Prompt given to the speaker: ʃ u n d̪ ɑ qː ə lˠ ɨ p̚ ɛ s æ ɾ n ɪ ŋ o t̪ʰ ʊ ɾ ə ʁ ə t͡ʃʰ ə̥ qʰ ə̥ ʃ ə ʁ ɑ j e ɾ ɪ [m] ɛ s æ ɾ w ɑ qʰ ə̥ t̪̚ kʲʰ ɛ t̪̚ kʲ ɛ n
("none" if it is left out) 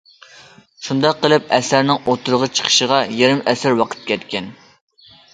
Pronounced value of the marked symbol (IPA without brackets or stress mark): m